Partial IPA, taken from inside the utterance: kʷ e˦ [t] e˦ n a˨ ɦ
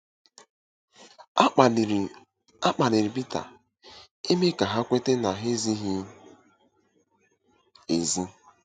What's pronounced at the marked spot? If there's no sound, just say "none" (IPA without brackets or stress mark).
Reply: t